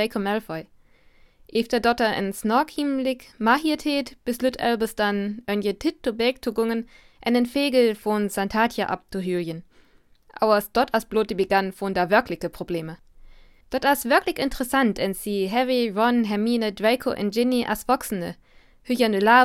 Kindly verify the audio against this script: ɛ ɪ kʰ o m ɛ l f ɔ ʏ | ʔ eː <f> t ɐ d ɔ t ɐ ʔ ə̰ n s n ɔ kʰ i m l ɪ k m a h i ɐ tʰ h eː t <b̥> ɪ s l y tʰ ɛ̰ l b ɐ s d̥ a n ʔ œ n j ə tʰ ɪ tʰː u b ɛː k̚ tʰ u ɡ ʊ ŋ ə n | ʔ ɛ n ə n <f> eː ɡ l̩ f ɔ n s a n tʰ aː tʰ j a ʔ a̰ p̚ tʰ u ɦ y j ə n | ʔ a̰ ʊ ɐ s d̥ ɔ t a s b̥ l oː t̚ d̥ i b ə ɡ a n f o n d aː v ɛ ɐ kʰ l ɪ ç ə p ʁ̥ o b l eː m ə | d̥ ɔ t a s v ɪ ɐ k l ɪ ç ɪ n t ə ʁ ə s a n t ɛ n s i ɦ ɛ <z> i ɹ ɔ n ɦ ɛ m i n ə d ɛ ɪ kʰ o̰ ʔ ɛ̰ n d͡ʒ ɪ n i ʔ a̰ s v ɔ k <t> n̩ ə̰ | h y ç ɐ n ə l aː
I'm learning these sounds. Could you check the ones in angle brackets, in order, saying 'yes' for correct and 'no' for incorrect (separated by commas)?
yes, yes, yes, no, no